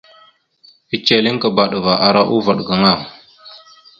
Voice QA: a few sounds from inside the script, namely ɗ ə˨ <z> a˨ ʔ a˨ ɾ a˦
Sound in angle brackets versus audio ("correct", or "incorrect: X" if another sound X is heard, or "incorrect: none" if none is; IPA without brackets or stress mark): incorrect: v